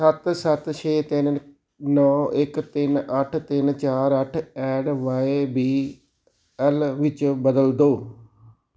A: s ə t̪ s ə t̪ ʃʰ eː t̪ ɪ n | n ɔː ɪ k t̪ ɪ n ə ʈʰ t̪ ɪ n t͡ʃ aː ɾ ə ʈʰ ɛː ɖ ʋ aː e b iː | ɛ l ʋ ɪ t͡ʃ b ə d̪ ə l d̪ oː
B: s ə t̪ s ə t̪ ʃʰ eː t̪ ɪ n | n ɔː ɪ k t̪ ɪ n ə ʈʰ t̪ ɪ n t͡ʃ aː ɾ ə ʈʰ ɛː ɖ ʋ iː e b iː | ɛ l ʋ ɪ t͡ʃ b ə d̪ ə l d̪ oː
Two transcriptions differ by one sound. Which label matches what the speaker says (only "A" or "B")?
A